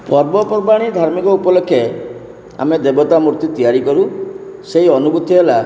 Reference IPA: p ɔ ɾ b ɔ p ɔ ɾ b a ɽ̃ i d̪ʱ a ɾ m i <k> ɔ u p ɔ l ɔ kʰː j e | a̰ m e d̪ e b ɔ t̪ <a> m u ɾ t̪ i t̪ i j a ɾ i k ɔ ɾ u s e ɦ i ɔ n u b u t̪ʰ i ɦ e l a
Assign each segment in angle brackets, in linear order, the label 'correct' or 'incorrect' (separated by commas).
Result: correct, correct